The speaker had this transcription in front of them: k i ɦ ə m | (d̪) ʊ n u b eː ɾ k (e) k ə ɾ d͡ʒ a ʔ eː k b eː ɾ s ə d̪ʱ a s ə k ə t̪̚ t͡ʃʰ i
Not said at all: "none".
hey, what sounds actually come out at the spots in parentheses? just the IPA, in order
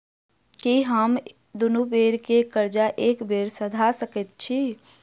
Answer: d̪, e

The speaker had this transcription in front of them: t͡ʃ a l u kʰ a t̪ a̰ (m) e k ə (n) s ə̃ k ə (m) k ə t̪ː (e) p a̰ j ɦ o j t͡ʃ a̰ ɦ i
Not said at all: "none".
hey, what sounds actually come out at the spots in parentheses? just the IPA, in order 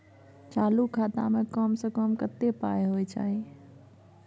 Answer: m, m, m, e

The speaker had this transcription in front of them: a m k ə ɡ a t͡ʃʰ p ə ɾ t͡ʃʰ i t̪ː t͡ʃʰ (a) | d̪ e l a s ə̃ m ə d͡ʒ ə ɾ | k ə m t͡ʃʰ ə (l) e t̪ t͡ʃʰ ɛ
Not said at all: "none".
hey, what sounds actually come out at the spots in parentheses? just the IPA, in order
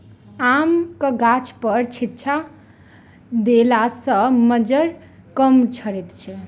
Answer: a, ɾ

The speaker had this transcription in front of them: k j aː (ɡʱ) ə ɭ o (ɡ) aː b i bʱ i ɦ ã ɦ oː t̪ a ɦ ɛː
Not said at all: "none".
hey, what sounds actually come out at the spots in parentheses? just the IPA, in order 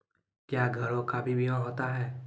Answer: ɡʱ, k

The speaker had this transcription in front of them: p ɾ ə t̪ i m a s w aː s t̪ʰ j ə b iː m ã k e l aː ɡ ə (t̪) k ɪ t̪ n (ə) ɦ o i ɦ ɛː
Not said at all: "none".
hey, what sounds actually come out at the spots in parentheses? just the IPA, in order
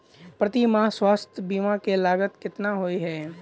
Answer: t̪, a

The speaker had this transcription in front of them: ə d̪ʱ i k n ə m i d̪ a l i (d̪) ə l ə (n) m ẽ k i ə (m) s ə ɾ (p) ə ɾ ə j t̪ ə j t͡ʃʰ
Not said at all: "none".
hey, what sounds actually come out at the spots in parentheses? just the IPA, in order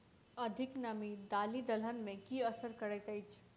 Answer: d̪, n, none, k

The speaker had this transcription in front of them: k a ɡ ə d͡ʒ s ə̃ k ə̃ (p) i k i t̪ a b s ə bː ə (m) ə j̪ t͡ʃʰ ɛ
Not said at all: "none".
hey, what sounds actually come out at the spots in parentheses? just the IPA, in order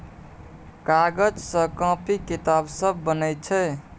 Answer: p, n

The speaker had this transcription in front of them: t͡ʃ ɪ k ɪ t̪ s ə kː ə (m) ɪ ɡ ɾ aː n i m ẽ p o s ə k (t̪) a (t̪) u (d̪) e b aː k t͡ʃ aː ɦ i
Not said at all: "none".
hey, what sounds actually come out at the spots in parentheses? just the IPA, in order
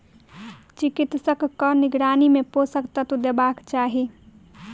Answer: n, t̪, t̪, d̪

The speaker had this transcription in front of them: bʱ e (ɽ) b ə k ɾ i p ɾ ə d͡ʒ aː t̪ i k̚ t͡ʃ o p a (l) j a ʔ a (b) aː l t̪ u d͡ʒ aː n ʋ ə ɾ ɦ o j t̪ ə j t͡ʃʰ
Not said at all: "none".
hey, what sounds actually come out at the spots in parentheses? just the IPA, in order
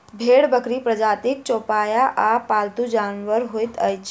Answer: ɽ, none, p

